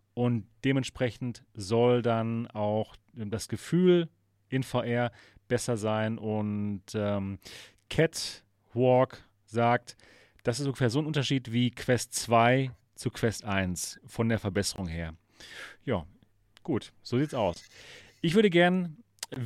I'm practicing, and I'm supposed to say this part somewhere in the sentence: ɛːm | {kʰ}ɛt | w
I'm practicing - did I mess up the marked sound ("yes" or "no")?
no